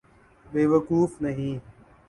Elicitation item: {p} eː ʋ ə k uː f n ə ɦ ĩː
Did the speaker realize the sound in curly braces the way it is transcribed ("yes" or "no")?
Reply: no